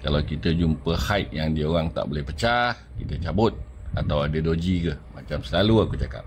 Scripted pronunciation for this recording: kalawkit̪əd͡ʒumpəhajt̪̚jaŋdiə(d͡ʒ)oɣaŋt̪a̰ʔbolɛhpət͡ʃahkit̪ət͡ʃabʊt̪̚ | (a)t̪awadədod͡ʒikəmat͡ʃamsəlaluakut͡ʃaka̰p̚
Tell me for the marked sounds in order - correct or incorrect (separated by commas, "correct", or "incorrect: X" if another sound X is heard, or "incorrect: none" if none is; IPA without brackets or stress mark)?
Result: incorrect: none, correct